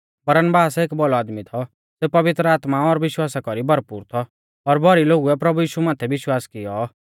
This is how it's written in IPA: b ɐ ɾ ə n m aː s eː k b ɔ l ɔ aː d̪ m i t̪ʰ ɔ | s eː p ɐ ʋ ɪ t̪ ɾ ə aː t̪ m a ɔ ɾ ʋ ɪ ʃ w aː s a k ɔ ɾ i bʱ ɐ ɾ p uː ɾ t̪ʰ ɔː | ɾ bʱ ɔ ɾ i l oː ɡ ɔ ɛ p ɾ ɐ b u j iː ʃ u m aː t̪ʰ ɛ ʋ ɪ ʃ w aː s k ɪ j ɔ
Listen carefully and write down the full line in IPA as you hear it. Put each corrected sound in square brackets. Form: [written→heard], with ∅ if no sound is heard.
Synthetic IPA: b ɐ ɾ ə n [m→b] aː s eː k b ɔ l ɔ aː d̪ m i t̪ʰ ɔ | s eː p ɐ ʋ ɪ t̪ ɾ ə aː t̪ m a ɔ ɾ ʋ ɪ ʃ w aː s a k ɔ ɾ i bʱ ɐ ɾ p uː ɾ t̪ʰ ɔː | ɾ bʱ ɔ ɾ i l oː ɡ [ɔ→u] ɛ p ɾ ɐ b u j iː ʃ u m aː t̪ʰ ɛ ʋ ɪ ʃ w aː s k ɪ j ɔ